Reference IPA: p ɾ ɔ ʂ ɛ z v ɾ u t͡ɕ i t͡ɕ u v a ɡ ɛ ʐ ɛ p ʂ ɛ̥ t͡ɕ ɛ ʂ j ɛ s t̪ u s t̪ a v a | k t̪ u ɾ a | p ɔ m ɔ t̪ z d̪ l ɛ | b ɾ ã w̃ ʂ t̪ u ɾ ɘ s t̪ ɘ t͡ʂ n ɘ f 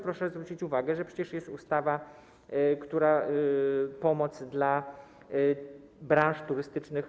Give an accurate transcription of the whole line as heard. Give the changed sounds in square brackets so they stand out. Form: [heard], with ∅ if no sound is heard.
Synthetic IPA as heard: p ɾ ɔ ʂ ɛ z v ɾ u t͡ɕ i t͡ɕ u v a ɡ ɛ ʐ ɛ p ʂ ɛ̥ t͡ɕ ɛ ʂ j ɛ s t̪ u s t̪ a v a | k t̪ u ɾ a | p ɔ m ɔ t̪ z d̪ l [a] | b ɾ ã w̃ ʂ t̪ u ɾ ɘ s t̪ ɘ t͡ʂ n ɘ [x]